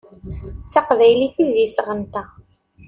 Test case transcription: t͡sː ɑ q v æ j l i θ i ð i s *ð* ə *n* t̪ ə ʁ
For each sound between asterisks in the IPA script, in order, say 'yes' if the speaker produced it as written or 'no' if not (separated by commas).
no, yes